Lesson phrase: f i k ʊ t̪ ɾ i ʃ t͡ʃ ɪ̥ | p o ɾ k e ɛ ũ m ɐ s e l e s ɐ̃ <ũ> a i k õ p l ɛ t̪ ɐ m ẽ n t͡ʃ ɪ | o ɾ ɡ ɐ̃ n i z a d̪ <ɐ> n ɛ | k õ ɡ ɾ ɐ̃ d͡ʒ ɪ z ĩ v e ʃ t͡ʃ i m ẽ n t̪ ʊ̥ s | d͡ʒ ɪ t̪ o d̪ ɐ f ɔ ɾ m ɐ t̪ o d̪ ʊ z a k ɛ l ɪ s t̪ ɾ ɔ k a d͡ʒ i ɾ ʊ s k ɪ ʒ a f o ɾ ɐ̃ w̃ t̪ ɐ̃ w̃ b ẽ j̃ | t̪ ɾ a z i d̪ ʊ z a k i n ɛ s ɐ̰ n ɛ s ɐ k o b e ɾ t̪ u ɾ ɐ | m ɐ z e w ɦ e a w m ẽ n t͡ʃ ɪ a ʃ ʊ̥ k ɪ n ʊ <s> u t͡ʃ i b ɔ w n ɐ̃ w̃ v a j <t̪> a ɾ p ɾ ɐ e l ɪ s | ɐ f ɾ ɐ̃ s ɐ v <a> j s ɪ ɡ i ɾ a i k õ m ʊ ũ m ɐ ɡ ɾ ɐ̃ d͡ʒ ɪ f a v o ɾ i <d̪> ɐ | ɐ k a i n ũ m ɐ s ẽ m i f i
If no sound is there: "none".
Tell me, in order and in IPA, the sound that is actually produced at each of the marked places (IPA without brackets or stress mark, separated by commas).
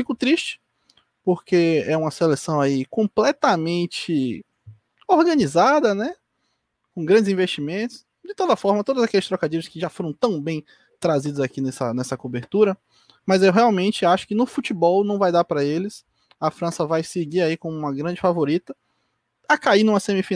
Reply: w̃, ɐ, f, d̪, a, t̪